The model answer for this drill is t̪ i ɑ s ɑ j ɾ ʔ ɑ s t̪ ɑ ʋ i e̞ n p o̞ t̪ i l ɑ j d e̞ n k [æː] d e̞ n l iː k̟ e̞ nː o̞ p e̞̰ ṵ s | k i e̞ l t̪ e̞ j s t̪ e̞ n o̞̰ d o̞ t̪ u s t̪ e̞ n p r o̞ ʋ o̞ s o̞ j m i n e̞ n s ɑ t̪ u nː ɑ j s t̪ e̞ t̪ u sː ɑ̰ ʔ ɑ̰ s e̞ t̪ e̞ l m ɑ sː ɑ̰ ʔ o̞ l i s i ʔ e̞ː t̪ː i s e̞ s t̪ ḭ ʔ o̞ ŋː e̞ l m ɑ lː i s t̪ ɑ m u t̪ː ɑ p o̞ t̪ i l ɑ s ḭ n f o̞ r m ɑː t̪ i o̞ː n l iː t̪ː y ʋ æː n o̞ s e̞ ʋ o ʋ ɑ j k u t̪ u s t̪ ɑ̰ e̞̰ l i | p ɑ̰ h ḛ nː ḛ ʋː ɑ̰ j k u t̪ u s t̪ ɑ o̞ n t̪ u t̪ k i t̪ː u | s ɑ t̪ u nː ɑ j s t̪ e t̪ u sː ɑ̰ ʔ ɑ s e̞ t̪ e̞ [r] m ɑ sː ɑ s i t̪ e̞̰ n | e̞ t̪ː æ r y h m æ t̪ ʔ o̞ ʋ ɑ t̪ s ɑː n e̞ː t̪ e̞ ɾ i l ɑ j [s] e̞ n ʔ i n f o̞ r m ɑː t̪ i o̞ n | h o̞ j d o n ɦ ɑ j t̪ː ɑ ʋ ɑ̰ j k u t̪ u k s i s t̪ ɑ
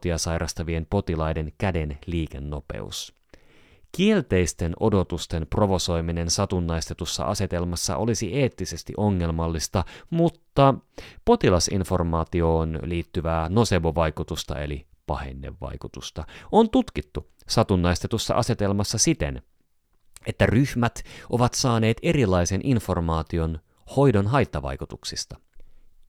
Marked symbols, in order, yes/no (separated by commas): no, no, yes